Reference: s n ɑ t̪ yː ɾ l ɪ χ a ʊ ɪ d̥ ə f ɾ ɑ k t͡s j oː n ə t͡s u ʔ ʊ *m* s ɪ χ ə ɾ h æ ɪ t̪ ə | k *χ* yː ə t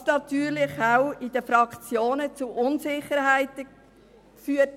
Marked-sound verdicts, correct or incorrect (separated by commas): incorrect, incorrect